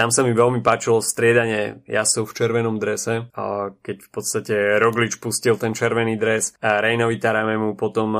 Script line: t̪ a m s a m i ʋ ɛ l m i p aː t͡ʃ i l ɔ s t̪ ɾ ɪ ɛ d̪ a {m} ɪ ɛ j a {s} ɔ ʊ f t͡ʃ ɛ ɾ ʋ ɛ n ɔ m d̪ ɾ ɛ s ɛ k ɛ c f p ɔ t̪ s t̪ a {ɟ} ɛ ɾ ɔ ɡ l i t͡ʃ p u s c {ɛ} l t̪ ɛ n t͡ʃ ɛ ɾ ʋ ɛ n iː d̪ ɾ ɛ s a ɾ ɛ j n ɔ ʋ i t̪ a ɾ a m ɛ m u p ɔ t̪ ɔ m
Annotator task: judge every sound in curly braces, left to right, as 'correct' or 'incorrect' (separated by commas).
incorrect, correct, incorrect, incorrect